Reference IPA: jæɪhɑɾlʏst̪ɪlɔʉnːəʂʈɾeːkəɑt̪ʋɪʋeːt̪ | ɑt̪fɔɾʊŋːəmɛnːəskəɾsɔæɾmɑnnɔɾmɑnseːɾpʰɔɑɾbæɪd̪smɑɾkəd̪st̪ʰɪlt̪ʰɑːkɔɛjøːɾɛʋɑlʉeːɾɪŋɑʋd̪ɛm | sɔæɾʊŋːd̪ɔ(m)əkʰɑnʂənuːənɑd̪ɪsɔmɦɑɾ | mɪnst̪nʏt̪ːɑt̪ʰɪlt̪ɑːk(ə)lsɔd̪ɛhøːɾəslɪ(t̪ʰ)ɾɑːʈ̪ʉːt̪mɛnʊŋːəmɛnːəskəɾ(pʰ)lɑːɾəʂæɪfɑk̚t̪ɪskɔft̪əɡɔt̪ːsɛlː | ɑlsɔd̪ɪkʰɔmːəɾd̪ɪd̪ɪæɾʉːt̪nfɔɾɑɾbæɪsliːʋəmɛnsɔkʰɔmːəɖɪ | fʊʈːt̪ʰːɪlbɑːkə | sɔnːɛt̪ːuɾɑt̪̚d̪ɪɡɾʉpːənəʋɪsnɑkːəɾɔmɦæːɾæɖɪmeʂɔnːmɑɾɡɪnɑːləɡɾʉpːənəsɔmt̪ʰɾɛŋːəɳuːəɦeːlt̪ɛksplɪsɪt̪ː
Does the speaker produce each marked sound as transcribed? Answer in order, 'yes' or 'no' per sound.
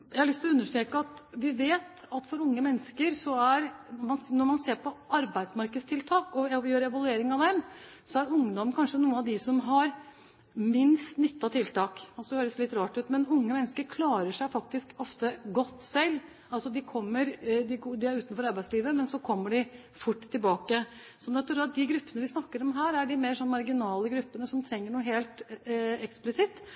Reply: yes, no, no, no

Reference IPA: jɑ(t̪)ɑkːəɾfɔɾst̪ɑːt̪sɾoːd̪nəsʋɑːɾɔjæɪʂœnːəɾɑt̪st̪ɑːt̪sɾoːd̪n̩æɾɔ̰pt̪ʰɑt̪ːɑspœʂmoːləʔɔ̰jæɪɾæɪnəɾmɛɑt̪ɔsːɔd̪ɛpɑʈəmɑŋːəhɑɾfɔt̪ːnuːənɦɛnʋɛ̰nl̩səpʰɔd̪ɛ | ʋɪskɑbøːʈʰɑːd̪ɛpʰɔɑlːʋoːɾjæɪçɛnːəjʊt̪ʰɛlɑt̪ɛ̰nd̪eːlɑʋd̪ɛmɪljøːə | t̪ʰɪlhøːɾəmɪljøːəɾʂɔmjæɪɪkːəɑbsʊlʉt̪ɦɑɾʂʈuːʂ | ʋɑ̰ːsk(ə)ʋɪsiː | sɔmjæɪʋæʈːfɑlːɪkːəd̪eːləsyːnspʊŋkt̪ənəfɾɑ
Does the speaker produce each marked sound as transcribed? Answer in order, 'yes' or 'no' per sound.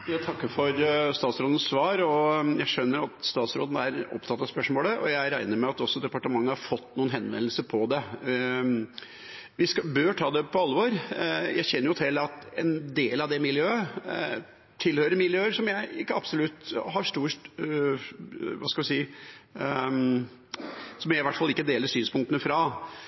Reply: no, no

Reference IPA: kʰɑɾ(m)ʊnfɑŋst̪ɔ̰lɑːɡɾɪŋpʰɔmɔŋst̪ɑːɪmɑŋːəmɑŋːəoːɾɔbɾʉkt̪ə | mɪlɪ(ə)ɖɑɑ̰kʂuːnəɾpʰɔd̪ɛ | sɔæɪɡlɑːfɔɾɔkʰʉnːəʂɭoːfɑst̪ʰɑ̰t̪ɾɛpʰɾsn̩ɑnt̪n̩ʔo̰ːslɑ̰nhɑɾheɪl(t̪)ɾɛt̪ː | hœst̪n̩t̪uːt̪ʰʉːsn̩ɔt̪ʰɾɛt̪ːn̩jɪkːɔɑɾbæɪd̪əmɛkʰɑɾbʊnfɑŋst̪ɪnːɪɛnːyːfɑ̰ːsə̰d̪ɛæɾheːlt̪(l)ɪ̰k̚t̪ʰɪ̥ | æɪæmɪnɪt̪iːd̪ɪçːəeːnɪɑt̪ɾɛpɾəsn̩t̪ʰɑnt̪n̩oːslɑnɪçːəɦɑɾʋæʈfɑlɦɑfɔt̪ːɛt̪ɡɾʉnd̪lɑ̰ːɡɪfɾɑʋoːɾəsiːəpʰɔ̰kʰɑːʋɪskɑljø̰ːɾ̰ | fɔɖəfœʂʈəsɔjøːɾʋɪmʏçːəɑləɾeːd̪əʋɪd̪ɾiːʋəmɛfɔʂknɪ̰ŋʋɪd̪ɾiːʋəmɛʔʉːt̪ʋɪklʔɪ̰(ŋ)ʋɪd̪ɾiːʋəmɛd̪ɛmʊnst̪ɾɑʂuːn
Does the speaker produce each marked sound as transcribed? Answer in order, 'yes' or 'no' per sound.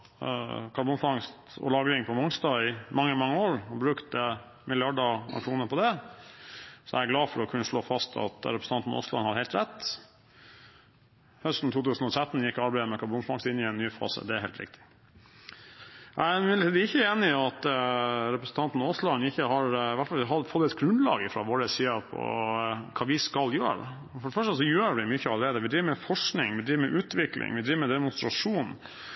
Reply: no, no, yes, no, yes

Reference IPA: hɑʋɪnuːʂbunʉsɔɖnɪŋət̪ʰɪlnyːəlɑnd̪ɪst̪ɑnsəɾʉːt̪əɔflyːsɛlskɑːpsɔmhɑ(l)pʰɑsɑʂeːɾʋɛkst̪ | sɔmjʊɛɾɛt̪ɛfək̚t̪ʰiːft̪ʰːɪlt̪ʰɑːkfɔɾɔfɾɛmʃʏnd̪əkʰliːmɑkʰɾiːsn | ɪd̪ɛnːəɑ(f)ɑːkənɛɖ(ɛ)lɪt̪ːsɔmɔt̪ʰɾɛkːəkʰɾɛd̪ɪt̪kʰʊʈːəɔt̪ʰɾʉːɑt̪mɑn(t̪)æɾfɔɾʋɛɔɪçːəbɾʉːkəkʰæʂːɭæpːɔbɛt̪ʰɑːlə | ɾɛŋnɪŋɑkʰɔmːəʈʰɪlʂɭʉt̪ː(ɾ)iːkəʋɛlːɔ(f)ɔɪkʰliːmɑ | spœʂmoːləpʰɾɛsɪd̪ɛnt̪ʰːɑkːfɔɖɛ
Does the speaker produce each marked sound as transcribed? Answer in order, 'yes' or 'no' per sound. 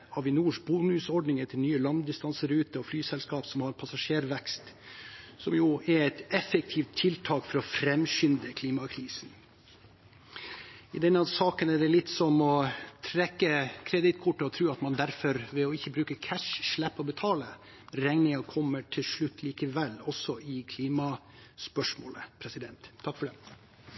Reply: no, no, yes, no, no, no

